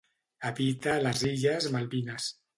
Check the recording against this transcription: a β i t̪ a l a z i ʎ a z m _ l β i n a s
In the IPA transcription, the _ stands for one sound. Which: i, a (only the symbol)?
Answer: a